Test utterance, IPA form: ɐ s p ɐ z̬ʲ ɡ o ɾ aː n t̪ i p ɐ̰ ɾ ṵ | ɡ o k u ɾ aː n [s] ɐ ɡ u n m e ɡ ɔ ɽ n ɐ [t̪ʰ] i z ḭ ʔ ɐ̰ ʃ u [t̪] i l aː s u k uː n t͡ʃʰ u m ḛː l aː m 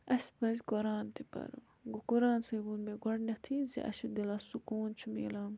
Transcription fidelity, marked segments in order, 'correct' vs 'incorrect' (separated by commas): correct, correct, incorrect